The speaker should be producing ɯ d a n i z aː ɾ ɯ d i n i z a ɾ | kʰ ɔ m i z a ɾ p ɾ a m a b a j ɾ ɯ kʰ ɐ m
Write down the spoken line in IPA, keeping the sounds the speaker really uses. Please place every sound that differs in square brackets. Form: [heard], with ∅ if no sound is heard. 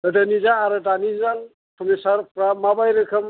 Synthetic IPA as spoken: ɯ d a n i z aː ɾ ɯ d [a] n i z a [l] | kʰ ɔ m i [s] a ɾ p ɾ a m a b a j ɾ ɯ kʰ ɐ m